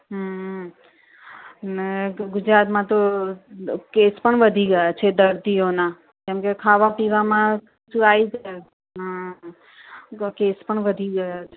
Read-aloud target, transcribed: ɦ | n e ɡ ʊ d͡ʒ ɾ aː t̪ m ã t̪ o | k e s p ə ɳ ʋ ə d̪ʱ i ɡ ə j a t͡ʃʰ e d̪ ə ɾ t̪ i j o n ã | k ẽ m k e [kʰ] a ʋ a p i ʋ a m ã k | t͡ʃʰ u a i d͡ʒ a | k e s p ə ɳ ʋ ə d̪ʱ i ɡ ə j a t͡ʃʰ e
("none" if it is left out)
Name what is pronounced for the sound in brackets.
kʰ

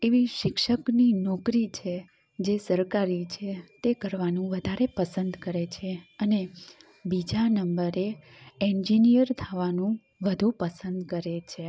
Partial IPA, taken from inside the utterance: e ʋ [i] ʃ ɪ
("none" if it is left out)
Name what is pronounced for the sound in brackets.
i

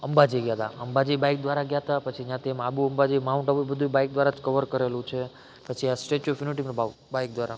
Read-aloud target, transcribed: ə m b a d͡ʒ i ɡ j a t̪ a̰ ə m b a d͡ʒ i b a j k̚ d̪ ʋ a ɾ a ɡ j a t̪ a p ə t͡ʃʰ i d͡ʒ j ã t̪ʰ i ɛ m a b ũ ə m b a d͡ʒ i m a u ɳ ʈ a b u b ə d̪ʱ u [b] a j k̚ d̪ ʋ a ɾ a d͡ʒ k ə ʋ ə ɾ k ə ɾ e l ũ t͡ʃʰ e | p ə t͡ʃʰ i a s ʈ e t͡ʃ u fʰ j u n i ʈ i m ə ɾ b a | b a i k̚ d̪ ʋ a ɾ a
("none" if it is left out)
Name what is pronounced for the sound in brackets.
b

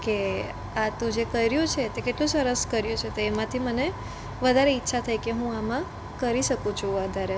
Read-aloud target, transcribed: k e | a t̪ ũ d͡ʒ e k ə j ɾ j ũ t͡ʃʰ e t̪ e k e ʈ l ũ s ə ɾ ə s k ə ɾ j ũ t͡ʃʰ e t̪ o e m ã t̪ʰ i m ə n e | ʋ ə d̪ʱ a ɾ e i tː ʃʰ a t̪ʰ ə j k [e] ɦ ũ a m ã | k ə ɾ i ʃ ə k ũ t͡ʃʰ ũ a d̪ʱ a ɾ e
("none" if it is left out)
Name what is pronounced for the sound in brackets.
e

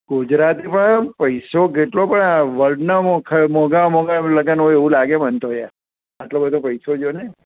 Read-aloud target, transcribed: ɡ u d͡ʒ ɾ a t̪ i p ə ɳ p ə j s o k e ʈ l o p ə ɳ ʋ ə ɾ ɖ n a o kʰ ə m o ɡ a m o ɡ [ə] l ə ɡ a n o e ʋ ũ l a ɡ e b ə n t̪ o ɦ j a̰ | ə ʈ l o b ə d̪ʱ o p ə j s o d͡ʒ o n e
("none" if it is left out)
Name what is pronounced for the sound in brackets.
a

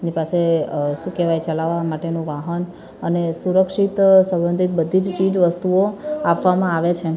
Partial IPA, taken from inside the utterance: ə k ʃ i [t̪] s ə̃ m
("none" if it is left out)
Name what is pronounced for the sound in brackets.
t̪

